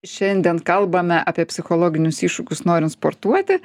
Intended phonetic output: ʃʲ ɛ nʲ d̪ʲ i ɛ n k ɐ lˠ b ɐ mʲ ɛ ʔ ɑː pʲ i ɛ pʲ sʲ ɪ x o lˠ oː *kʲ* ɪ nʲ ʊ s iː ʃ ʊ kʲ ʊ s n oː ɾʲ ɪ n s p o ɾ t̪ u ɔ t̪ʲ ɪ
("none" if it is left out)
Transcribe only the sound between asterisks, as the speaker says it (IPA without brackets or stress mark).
ɡʲ